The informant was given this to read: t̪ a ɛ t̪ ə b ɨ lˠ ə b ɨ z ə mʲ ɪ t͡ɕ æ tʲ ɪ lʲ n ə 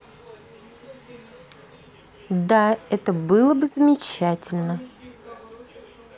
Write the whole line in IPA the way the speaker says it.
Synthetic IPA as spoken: d̪ a ɛ t̪ ə b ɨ lˠ ə b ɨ z ə mʲ ɪ t͡ɕ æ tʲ ɪ lʲ n ə